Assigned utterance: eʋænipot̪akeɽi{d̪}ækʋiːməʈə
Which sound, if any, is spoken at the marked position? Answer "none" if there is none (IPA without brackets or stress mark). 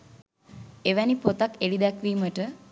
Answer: d̪